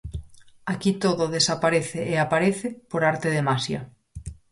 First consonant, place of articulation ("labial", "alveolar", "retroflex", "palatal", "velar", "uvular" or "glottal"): velar